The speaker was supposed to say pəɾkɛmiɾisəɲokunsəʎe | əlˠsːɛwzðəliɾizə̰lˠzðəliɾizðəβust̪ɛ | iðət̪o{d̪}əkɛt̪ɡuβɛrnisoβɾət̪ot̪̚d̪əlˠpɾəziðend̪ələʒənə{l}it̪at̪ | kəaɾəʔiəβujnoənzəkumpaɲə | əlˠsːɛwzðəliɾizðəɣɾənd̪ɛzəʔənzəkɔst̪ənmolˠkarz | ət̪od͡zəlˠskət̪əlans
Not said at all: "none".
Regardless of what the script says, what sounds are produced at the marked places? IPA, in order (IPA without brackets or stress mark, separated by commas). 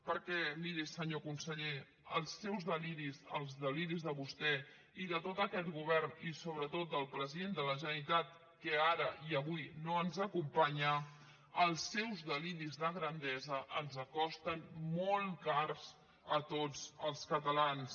t̪, ɾ